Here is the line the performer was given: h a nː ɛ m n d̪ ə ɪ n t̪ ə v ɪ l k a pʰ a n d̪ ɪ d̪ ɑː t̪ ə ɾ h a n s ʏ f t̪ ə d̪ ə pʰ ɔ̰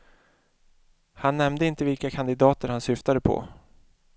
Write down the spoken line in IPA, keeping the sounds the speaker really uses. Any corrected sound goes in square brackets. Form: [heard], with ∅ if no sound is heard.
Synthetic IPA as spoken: h a nː ɛ m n d̪ ə ɪ n t̪ ə v ɪ l k a [kʰ] a n d̪ ɪ d̪ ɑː t̪ ə ɾ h a n s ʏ f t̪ [a] d̪ ə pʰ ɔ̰